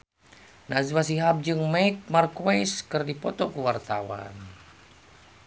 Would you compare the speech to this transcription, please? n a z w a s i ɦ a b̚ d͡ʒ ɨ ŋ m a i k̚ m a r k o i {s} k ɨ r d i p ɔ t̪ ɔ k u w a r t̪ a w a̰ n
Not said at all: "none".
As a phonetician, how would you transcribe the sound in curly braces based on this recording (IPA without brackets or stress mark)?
s